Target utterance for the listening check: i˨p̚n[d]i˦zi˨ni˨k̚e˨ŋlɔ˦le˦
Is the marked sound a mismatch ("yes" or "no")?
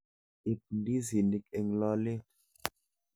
no